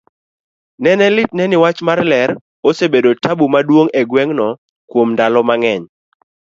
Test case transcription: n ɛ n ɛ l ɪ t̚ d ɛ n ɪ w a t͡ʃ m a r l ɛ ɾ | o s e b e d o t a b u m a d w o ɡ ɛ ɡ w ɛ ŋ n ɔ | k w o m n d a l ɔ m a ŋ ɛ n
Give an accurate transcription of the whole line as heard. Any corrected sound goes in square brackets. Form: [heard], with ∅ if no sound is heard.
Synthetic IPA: n ɛ n ɛ l ɪ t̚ [n] ɛ n ɪ w a t͡ʃ m a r l ɛ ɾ | o s e b e d o t a b u m a d w o [ŋ] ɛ ɡ w ɛ ŋ n ɔ | k w o m n d a l ɔ m a ŋ ɛ [ɲ]